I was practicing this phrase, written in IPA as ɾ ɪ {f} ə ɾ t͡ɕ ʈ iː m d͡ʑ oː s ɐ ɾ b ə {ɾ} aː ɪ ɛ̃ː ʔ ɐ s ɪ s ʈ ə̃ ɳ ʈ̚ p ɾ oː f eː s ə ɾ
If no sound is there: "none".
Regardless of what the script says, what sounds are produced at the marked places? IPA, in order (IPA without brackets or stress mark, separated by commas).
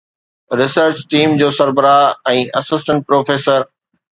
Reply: s, ɾ